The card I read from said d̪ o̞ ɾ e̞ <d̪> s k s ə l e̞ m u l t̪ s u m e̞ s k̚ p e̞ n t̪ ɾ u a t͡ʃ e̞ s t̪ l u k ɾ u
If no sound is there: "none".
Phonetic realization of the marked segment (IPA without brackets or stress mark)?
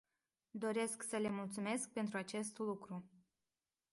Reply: none